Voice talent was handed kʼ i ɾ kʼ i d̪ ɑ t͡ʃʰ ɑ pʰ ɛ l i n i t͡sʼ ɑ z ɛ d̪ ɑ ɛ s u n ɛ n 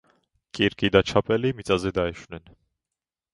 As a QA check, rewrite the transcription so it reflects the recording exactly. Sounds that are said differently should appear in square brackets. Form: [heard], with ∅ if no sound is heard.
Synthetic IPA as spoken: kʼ i ɾ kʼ i d̪ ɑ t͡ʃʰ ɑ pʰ ɛ l i [m] i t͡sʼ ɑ z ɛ d̪ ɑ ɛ [ʃ] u n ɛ n